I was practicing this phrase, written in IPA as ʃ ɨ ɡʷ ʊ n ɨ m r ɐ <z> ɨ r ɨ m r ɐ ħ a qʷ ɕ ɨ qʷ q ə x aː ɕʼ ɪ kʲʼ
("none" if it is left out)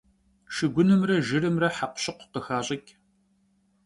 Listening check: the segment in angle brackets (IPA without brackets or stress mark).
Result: ʒ